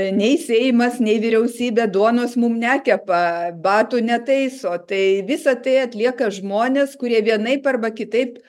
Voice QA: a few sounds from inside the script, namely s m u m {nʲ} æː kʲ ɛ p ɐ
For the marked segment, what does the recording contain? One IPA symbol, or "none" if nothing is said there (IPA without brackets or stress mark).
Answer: nʲ